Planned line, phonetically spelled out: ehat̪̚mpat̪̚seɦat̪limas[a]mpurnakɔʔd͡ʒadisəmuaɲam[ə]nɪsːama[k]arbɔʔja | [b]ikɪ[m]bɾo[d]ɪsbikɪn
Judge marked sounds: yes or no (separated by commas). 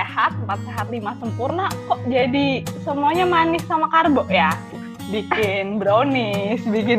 no, no, yes, yes, no, no